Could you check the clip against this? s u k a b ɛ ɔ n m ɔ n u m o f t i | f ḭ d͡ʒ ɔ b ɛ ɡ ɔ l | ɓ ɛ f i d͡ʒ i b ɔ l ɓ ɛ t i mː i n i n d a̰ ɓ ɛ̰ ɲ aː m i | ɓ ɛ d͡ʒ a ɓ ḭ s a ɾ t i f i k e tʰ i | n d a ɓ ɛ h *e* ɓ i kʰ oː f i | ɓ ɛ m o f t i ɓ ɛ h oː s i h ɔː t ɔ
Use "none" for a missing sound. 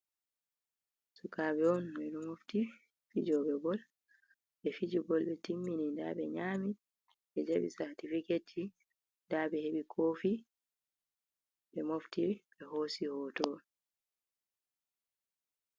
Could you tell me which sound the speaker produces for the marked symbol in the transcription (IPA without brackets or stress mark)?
e